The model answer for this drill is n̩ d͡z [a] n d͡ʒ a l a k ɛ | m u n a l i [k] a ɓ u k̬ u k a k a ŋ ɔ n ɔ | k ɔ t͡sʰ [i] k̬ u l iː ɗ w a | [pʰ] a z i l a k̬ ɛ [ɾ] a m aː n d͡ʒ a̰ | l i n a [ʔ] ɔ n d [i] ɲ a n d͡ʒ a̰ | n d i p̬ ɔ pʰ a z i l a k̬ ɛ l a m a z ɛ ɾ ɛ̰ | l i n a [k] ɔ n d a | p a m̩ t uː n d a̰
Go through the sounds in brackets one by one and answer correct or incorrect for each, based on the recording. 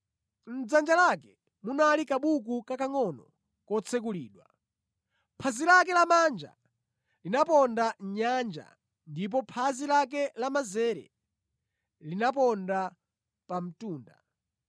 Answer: correct, correct, incorrect: ɛ, correct, incorrect: l, incorrect: p, incorrect: a, incorrect: p

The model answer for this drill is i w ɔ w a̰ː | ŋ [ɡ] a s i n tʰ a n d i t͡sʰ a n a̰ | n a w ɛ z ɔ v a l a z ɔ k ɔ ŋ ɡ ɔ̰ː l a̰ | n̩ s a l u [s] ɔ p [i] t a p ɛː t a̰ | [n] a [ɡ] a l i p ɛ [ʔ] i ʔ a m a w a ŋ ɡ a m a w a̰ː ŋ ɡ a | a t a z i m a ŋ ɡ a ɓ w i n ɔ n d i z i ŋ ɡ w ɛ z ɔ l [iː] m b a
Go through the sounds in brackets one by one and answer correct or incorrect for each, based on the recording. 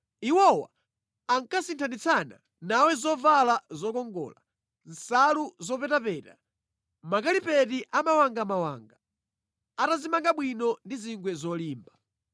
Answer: incorrect: k, incorrect: z, incorrect: ɛ, incorrect: m, incorrect: k, incorrect: t, correct

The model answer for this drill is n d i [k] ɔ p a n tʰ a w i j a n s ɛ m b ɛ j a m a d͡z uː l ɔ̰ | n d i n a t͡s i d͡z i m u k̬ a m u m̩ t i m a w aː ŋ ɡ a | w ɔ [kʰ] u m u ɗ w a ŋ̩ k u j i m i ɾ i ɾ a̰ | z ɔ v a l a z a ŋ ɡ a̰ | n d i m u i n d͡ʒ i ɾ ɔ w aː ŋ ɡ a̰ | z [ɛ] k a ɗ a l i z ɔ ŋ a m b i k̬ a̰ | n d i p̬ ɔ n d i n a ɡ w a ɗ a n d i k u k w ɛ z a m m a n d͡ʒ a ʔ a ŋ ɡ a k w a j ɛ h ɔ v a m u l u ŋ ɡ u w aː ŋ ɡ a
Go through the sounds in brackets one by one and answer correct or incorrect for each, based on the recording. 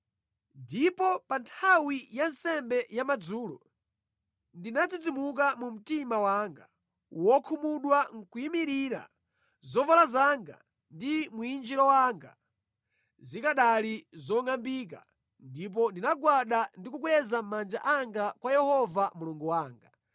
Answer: incorrect: p, correct, incorrect: i

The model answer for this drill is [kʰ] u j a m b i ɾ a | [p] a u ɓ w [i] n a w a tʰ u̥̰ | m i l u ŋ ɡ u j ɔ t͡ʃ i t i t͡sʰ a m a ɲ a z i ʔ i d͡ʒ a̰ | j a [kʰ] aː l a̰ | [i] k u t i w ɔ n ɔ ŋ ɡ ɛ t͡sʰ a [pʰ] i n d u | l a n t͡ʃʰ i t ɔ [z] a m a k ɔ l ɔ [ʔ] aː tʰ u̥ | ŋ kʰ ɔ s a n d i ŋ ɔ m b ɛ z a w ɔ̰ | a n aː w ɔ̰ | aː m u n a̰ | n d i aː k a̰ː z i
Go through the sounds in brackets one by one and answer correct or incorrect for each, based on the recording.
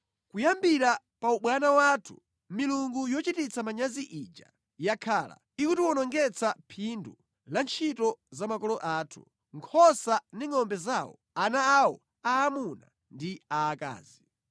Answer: incorrect: k, correct, incorrect: a, correct, correct, correct, correct, correct

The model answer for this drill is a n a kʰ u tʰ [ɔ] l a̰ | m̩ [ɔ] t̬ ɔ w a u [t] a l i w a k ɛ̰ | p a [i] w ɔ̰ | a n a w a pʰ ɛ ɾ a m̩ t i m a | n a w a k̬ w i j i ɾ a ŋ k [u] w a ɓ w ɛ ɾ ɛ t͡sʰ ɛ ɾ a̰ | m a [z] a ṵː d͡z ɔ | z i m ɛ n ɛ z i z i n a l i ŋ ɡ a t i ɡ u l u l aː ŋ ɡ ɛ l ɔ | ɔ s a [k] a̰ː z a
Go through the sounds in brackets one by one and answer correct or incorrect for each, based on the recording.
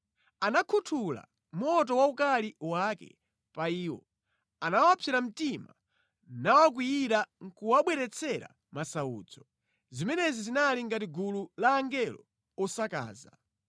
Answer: incorrect: u, correct, incorrect: k, incorrect: iː, correct, incorrect: s, correct

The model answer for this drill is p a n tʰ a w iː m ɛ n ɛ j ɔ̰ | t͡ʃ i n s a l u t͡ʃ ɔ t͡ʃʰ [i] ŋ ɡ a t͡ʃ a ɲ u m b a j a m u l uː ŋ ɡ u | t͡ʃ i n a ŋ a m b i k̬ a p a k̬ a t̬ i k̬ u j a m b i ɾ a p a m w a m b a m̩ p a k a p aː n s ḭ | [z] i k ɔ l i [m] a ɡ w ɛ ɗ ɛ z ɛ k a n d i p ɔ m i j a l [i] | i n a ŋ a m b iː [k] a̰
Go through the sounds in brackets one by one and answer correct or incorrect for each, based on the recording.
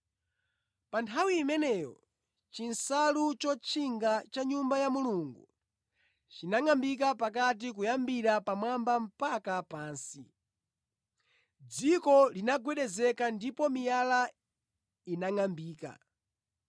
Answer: correct, incorrect: d͡z, incorrect: n, incorrect: a, correct

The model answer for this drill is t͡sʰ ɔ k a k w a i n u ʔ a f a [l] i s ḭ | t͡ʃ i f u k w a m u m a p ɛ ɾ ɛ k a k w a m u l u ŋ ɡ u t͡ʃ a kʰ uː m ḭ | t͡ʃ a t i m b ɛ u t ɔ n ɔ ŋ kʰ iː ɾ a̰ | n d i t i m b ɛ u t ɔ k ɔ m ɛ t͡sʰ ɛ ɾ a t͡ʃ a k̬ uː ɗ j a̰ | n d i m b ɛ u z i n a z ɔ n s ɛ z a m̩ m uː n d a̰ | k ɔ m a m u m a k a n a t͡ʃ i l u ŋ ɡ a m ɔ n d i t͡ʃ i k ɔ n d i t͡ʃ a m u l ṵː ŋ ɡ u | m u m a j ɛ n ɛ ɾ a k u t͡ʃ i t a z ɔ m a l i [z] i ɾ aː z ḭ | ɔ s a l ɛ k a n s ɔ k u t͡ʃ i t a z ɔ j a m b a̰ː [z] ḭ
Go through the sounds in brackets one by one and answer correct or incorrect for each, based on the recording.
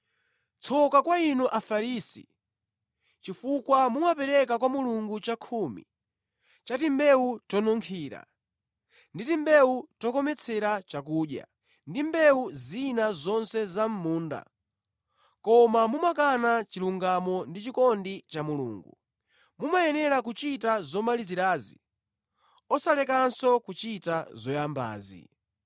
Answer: incorrect: ɾ, correct, correct

